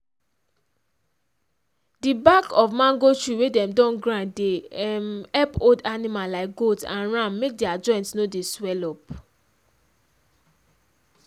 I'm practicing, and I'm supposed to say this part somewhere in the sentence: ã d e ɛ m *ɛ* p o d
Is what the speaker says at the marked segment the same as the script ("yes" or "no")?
yes